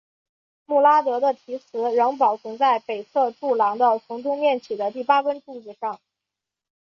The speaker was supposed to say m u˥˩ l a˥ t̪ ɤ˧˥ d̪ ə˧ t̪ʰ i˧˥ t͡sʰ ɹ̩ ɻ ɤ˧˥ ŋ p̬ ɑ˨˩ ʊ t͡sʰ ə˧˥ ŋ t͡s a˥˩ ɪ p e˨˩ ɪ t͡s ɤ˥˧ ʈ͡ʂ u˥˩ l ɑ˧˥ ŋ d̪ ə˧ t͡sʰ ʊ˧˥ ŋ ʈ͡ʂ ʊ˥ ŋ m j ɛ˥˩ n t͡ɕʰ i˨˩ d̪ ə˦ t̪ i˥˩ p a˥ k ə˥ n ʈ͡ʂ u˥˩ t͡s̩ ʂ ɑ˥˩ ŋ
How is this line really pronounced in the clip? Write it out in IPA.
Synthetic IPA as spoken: m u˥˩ l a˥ t̪ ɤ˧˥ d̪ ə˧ t̪ʰ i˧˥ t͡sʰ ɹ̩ ɻ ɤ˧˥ ŋ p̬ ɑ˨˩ ʊ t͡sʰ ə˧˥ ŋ t͡s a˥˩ ɪ p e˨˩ ɪ t͡sʰ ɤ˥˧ ʈ͡ʂ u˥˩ l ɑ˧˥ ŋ d̪ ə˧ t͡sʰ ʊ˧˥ ŋ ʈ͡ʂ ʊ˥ ŋ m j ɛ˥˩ n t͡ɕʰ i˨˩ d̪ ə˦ t̪ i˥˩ p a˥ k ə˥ n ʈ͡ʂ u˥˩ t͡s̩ ʂ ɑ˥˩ ŋ